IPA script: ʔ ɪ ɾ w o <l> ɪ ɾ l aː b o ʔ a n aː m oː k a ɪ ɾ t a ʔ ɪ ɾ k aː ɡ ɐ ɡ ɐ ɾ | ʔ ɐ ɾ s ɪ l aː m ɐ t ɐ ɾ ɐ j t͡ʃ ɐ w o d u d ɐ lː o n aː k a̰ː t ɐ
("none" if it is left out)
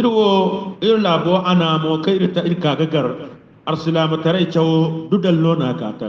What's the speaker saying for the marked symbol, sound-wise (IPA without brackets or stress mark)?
none